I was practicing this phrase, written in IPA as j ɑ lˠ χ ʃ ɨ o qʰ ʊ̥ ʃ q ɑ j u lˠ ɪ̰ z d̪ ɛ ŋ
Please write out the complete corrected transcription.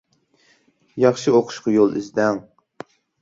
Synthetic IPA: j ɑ χ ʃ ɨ o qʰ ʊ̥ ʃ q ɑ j o lˠ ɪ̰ z d̪ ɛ ŋ